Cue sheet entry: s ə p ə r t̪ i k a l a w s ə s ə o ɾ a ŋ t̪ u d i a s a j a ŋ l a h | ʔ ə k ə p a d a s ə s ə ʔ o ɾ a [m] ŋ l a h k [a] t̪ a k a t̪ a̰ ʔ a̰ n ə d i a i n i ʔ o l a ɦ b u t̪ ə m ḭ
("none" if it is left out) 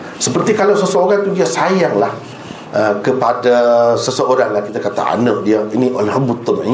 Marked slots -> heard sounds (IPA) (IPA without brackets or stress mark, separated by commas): none, i